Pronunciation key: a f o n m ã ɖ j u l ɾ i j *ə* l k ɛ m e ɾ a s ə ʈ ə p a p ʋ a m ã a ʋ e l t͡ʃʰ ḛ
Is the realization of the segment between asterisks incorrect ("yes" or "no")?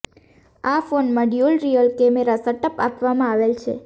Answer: no